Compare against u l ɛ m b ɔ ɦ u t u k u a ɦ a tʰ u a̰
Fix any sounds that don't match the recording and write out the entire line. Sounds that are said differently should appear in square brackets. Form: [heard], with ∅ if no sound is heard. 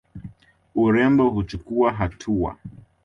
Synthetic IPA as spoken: u [ɾ] ɛ m b ɔ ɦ u [t͡ʃ] u k u a ɦ a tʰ u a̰